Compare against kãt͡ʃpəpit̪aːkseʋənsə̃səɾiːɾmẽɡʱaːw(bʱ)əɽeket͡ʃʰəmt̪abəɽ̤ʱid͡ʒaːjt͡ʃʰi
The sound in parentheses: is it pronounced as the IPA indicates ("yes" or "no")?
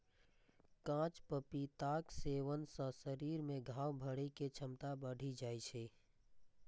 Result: yes